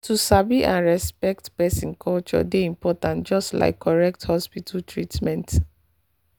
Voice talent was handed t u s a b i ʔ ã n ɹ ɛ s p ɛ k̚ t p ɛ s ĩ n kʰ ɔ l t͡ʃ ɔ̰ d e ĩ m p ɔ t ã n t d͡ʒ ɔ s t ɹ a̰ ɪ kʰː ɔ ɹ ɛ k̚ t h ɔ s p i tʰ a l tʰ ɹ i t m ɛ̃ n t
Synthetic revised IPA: t u s a b i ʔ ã n ɹ ɛ s p ɛ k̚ t p ɛ s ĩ n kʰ ɔ l t͡ʃ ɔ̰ d e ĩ m p ɔ t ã n t d͡ʒ ɔ s t l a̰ ɪ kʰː ɔ ɹ ɛ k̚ t h ɔ s p i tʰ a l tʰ ɹ i t m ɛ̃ n t